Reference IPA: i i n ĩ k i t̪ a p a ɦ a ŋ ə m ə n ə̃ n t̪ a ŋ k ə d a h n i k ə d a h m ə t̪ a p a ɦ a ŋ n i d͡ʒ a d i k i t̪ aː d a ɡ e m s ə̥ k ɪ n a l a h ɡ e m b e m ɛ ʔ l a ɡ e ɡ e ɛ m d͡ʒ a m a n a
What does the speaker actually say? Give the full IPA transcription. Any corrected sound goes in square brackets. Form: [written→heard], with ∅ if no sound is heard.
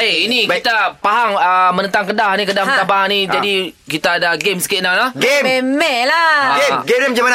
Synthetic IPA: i i n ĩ k i t̪ a p a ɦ a ŋ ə m ə n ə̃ n t̪ a ŋ k ə d a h n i k ə d a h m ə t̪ a p a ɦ a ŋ n i d͡ʒ a d i k i t̪ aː d a ɡ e m s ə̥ k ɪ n a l a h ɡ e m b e m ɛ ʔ l a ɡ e ɡ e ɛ m d͡ʒ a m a n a